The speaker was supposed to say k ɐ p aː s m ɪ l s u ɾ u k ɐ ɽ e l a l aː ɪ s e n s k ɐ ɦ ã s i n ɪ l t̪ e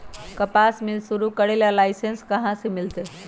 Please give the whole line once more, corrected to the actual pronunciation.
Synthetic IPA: k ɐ p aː s m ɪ l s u ɾ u k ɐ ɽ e l a l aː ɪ s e n s k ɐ ɦ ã s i m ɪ l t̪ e